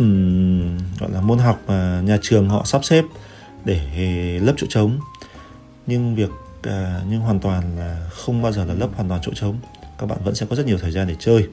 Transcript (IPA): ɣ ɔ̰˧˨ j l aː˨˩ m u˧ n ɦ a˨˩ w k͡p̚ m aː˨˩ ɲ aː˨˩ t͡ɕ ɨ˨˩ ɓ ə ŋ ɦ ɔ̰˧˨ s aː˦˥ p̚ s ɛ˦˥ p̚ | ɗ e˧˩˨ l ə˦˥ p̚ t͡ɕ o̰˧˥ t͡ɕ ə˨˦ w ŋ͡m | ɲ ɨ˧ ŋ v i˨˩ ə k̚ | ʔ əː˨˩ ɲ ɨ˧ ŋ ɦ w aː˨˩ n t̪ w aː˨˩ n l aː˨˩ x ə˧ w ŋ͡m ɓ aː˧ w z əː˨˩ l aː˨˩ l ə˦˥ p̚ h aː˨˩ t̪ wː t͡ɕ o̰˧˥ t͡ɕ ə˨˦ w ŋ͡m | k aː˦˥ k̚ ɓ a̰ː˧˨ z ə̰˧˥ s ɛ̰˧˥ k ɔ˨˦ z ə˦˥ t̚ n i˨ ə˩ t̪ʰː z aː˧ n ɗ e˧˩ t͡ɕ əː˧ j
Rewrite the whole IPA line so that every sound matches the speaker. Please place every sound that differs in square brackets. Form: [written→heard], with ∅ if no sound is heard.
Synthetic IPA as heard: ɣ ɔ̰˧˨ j l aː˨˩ m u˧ n ɦ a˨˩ w k͡p̚ m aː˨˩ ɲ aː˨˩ t͡ɕ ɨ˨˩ [ɓ→∅] ə ŋ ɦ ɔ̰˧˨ s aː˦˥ p̚ s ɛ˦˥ p̚ | ɗ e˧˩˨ l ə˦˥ p̚ t͡ɕ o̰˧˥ t͡ɕ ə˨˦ w ŋ͡m | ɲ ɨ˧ ŋ v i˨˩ ə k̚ | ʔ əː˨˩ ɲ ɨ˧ ŋ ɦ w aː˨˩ n t̪ w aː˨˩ n l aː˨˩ x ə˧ w ŋ͡m ɓ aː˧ w z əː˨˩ l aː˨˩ l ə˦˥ p̚ h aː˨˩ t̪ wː t͡ɕ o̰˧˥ t͡ɕ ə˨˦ w ŋ͡m | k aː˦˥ k̚ ɓ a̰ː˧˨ [z→v] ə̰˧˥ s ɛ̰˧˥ k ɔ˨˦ z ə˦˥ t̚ [n→ɲ] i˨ ə˩ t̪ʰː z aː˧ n ɗ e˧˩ t͡ɕ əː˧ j